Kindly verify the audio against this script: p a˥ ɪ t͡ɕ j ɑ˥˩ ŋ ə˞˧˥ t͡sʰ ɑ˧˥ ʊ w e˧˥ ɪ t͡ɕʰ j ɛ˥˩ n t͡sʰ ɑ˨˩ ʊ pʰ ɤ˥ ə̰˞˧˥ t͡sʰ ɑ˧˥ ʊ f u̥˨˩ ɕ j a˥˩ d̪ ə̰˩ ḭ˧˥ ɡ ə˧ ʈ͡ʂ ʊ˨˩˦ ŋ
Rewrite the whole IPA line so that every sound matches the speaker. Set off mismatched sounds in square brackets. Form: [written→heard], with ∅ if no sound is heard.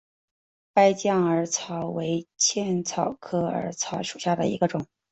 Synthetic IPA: p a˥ ɪ t͡ɕ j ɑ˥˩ ŋ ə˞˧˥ t͡sʰ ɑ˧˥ ʊ w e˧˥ ɪ t͡ɕʰ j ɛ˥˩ n t͡sʰ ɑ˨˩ ʊ [pʰ→kʰ] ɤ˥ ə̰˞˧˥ t͡sʰ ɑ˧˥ ʊ [f→ʂ] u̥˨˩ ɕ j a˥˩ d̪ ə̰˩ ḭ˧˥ ɡ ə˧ ʈ͡ʂ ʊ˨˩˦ ŋ